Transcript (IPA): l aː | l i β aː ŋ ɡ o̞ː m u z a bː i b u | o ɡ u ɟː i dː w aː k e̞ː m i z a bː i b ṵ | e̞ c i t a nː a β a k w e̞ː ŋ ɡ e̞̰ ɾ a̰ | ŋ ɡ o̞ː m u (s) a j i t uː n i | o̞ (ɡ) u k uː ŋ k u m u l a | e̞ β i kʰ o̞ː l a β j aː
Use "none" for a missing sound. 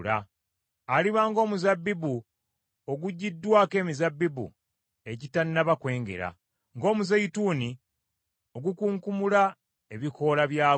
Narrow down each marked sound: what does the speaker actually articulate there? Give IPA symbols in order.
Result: z, ɡ

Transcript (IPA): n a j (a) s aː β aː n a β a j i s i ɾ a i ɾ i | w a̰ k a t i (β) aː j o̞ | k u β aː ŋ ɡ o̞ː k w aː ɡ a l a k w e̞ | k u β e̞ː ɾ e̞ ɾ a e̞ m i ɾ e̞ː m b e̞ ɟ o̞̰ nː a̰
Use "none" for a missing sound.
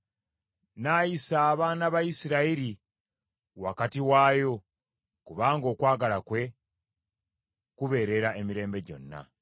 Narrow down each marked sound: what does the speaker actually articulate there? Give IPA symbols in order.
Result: i, w

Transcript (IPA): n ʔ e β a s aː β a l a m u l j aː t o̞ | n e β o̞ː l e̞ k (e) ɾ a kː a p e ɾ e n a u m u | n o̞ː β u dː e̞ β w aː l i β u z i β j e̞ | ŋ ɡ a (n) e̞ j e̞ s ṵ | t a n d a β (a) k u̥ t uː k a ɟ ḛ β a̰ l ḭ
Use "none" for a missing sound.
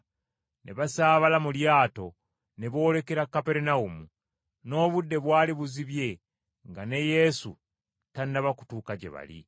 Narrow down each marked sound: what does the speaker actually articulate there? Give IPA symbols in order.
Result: e, n, a

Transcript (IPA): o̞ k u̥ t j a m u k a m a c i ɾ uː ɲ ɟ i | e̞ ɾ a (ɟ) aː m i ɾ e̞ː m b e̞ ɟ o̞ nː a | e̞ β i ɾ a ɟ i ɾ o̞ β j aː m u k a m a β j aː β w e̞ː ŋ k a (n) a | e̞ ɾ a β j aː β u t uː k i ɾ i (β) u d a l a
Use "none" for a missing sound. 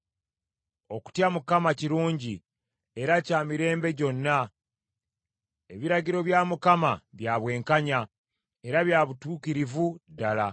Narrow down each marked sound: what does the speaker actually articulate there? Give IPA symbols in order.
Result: c, ɲ, v

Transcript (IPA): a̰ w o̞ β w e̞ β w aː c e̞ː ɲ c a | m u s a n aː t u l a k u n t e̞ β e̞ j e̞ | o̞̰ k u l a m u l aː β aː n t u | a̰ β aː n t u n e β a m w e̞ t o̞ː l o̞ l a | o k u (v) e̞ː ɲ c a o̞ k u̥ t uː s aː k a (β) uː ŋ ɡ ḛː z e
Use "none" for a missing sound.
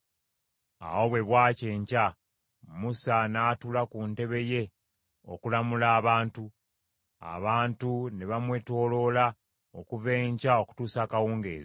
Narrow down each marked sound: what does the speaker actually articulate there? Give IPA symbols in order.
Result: v, w

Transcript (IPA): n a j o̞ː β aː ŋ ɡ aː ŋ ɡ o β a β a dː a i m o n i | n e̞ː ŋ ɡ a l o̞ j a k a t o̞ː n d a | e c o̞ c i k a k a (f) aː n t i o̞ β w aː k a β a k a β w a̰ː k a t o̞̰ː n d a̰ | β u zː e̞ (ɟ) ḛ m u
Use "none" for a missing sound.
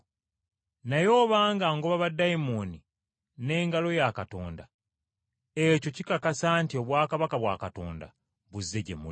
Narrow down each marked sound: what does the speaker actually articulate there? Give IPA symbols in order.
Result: s, ɟ

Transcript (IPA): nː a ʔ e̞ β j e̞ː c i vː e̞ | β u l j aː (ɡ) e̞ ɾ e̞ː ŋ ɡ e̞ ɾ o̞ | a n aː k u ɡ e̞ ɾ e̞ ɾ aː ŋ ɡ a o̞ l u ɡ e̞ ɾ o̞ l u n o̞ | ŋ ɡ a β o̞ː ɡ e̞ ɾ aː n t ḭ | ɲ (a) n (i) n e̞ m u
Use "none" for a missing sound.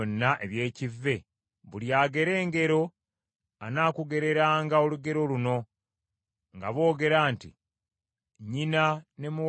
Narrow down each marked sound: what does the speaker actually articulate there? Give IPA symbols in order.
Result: ɡ, i, a

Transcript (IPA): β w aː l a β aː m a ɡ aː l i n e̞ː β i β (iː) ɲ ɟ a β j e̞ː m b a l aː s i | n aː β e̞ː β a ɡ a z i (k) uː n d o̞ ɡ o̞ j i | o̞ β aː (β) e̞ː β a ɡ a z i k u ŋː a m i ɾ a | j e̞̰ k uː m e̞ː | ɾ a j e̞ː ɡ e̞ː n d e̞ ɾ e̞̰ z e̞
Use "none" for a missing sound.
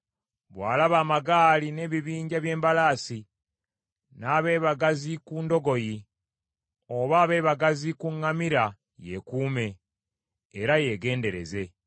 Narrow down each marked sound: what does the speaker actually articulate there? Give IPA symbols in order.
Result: iː, k, β

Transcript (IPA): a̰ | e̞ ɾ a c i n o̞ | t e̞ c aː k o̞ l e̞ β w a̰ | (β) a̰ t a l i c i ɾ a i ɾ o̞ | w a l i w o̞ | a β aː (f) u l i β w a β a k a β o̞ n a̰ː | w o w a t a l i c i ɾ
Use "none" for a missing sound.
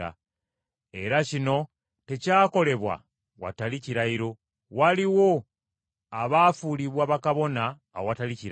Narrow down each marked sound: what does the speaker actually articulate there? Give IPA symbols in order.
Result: w, f

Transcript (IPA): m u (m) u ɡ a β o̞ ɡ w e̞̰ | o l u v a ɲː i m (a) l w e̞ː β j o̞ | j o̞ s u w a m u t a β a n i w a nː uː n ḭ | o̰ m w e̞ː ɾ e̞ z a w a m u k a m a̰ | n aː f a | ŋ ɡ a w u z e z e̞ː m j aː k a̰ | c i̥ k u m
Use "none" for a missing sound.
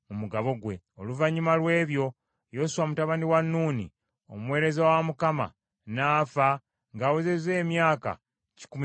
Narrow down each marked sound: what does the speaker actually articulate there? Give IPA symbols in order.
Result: m, a

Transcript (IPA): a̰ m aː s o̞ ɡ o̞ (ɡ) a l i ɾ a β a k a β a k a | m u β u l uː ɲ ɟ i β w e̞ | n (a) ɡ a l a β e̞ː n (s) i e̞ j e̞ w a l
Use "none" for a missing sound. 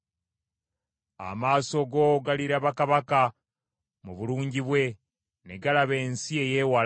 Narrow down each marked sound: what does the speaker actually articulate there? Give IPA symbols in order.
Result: ɡ, e, s

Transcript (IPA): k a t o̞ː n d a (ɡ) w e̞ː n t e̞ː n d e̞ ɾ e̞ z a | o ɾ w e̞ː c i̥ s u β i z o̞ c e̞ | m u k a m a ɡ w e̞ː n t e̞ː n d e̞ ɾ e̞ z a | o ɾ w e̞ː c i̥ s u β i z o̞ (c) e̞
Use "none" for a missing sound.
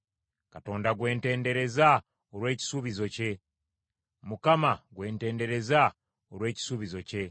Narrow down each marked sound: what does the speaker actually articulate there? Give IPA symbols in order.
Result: ɡ, c

